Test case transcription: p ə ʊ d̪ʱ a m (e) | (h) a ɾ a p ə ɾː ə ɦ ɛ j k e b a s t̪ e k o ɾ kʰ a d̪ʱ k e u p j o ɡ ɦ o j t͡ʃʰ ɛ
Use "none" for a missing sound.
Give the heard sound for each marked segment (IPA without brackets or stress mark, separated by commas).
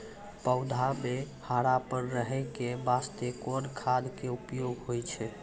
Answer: e, h